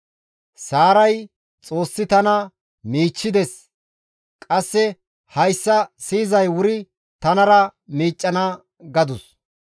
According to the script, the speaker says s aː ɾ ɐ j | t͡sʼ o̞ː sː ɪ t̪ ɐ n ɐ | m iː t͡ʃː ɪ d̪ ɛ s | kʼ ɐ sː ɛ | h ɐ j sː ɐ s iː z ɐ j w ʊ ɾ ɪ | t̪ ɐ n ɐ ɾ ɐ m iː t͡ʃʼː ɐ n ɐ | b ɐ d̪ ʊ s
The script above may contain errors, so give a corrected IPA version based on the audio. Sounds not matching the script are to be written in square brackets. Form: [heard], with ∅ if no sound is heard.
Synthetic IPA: s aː ɾ ɐ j | t͡sʼ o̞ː sː ɪ t̪ ɐ n ɐ | m iː t͡ʃː ɪ d̪ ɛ s | kʼ ɐ sː ɛ | h ɐ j sː ɐ s iː z ɐ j w ʊ ɾ ɪ | t̪ ɐ n ɐ ɾ ɐ m iː t͡ʃʼː ɐ n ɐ | [ɡ] ɐ d̪ ʊ s